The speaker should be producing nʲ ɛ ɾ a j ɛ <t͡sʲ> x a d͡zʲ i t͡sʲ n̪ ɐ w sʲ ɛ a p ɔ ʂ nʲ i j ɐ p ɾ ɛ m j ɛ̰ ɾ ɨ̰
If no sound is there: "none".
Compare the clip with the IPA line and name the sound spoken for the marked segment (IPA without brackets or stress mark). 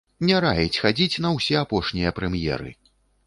t͡sʲ